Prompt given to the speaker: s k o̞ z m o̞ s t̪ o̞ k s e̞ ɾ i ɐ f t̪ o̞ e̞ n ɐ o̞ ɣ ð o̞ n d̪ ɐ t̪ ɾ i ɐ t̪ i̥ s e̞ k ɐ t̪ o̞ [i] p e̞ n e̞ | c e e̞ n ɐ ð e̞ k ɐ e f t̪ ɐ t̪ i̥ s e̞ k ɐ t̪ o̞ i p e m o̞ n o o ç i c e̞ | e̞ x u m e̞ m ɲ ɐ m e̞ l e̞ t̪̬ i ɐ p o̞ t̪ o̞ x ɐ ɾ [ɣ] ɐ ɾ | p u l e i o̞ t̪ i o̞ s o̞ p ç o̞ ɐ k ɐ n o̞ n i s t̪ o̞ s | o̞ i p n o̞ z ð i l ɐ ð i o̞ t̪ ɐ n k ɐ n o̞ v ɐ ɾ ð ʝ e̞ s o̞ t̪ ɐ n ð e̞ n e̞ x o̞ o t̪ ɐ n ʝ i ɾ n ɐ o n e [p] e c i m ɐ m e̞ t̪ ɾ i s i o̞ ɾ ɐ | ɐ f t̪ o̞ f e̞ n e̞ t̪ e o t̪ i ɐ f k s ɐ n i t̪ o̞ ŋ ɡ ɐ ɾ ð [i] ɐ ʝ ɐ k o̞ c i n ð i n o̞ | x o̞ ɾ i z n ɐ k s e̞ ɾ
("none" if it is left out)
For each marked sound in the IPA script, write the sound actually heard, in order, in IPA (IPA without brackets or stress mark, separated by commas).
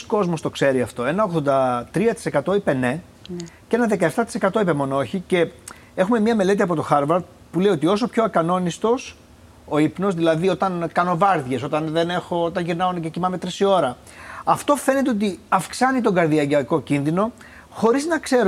i, v, c, i